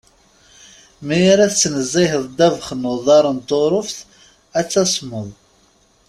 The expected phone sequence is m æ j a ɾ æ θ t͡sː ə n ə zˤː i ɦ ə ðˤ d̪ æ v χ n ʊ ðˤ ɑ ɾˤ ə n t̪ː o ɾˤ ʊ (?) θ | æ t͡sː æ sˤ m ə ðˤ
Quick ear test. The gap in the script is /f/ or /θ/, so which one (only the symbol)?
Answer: f